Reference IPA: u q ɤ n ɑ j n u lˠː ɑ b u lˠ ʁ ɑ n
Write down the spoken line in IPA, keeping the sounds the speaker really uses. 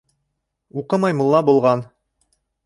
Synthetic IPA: u q ɤ m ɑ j m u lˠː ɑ b u lˠ ʁ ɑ n